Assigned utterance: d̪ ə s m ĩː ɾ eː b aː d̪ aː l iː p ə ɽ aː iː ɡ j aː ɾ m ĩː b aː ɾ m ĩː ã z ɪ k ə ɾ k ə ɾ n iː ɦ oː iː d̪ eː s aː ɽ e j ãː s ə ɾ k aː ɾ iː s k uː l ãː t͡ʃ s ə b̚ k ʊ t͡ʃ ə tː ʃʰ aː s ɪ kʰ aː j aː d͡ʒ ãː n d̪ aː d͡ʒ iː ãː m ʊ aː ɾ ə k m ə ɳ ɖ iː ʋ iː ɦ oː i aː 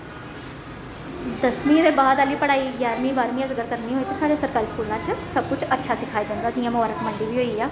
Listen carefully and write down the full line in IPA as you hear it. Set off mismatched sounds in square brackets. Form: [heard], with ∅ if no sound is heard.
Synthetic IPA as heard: d̪ ə s m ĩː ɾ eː b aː d̪ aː l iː p ə ɽ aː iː ɡ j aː ɾ m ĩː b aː ɾ m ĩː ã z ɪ k ə ɾ k ə ɾ n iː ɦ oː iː [t̪] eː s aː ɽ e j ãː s ə ɾ k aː ɾ iː s k uː l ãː t͡ʃ s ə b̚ k ʊ t͡ʃ ə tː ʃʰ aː s ɪ kʰ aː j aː d͡ʒ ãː n d̪ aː d͡ʒ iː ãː m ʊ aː ɾ ə k m ə ɳ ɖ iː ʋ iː ɦ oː i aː